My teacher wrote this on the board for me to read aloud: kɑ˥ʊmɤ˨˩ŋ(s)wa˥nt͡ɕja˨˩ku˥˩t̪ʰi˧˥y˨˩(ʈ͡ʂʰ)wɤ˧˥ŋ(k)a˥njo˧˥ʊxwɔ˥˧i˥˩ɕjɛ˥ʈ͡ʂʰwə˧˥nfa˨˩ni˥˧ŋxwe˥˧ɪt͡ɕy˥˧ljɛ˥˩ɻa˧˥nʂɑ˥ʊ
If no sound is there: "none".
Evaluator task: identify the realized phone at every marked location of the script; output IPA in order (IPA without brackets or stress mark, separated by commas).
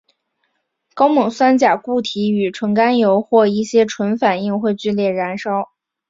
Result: s, ʈ͡ʂʰ, k